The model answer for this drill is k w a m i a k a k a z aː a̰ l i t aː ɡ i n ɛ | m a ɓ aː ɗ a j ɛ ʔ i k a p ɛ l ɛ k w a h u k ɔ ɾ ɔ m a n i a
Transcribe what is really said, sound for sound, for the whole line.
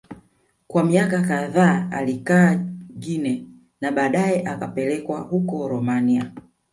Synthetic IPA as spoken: k w a m i a k a k a ð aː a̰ l i k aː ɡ i n ɛ | n a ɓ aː ɗ a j ɛ ʔ a k a p ɛ l ɛ k w a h u k ɔ ɾ ɔ m a n i a